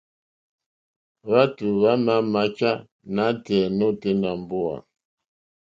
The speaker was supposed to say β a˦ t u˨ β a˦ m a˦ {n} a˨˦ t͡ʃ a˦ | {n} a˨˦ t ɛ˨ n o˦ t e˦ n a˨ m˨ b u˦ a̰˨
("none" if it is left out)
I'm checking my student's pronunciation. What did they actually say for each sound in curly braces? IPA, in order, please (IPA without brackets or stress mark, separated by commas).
m, n